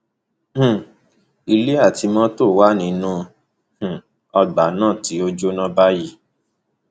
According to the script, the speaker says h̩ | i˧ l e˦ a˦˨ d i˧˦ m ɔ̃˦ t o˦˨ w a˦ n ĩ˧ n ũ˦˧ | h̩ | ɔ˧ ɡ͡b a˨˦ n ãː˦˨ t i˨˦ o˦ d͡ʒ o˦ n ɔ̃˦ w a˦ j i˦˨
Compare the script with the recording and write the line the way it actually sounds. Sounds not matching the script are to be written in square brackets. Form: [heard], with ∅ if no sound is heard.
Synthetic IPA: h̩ | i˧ l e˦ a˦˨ [t] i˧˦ m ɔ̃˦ t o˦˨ w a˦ n ĩ˧ n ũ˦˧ | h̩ | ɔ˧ ɡ͡b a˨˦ n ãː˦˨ t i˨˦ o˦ d͡ʒ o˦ n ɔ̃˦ [b] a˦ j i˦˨

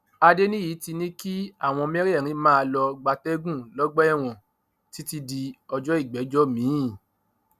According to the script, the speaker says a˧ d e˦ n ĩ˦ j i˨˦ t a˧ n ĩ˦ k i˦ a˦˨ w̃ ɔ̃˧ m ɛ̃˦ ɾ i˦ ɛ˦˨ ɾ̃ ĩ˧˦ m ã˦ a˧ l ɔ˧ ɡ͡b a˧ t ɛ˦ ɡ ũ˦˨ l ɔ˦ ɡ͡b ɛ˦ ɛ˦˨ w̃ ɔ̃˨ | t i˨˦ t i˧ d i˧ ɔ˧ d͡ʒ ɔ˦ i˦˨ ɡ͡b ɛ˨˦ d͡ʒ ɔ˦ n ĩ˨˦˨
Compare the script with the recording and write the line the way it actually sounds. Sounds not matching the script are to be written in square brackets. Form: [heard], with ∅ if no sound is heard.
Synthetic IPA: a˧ d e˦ n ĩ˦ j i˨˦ t [i˧] n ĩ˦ k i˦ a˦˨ w̃ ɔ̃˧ m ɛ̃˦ ɾ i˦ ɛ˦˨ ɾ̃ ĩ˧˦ m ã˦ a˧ l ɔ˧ ɡ͡b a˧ t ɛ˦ ɡ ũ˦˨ l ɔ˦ ɡ͡b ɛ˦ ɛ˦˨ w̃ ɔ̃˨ | t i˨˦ t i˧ d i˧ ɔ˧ d͡ʒ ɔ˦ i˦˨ ɡ͡b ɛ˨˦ d͡ʒ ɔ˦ [m] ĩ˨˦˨

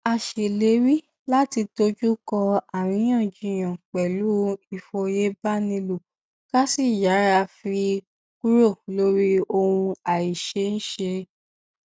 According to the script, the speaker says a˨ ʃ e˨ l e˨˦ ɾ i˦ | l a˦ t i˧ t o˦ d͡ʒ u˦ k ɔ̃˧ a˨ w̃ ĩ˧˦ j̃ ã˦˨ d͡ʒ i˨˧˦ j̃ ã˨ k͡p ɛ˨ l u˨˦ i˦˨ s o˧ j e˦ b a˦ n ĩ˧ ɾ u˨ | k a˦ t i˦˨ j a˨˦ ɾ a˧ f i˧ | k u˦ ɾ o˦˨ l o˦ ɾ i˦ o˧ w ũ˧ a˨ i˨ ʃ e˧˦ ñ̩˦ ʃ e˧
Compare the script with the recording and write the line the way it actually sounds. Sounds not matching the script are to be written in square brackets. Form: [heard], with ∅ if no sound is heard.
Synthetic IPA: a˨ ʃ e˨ l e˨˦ ɾ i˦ | l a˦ t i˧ t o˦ d͡ʒ u˦ k [ɔ˧] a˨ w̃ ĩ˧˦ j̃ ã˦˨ d͡ʒ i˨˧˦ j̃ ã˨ k͡p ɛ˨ l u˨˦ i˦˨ [f] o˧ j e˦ b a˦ n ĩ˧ [l] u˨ | k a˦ [s] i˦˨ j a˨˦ ɾ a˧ f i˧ | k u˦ ɾ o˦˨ l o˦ ɾ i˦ o˧ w ũ˧ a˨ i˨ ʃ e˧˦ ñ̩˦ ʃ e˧

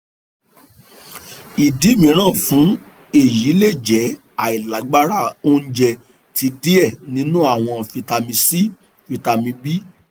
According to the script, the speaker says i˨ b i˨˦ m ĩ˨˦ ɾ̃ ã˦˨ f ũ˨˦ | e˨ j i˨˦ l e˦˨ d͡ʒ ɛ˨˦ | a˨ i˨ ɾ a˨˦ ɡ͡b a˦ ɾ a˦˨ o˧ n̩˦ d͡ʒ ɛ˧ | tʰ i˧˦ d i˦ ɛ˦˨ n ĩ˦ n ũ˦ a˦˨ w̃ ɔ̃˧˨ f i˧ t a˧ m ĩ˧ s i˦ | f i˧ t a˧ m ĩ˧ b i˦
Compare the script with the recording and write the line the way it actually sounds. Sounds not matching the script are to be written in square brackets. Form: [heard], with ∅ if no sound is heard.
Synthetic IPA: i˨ [d] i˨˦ m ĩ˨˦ ɾ̃ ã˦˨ f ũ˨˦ | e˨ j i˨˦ l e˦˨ d͡ʒ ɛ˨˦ | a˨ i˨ [l] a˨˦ ɡ͡b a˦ ɾ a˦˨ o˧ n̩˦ d͡ʒ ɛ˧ | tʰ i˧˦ d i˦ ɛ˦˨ n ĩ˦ n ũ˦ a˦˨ w̃ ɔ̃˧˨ f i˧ t a˧ m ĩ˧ s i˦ | f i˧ t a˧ m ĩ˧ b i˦

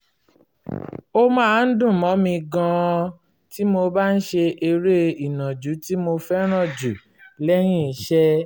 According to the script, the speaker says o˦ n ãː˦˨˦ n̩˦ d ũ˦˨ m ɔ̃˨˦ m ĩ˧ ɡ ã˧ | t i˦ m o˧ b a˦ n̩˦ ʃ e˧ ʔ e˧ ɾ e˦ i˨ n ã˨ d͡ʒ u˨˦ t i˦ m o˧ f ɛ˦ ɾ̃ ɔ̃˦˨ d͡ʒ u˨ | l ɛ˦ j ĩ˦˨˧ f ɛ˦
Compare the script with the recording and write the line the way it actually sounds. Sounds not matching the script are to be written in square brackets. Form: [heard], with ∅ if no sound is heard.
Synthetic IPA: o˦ [m] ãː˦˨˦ n̩˦ d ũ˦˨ m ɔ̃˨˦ m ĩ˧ ɡ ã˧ | t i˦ m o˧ b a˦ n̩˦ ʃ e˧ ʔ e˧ ɾ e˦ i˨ n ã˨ d͡ʒ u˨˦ t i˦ m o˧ f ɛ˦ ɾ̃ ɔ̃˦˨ d͡ʒ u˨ | l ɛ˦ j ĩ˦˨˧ [ʃ] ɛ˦

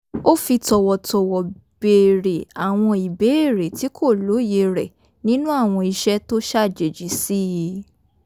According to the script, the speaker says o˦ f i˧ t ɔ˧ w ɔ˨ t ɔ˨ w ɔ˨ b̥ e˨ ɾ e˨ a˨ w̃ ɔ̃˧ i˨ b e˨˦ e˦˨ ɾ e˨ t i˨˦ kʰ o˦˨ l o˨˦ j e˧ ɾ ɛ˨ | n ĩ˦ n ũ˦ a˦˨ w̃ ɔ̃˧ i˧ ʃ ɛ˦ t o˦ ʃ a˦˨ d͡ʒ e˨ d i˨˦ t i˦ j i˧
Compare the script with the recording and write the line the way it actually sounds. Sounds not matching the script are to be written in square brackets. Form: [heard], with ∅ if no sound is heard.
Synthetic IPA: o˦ f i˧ t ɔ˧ w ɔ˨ t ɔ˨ w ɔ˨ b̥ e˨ ɾ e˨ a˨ w̃ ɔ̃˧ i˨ b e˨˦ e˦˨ ɾ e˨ t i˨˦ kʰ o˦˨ l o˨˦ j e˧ ɾ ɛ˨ | n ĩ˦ n ũ˦ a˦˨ w̃ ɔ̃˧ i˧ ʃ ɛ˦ t o˦ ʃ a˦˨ d͡ʒ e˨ [d͡ʒ] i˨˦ [s] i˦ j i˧

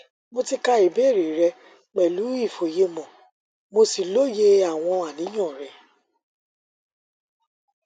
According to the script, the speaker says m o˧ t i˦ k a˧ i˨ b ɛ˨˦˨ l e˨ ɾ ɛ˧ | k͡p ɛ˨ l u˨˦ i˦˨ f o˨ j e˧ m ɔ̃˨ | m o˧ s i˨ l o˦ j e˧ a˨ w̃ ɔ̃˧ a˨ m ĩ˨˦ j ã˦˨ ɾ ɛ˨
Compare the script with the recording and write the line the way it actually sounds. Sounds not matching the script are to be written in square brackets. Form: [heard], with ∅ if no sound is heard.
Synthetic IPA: m o˧ t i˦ k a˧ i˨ b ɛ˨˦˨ [ɾ] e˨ ɾ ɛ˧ | k͡p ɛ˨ l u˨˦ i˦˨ f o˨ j e˧ m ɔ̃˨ | m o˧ s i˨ l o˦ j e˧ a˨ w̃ ɔ̃˧ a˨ [n] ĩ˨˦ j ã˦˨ ɾ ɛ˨

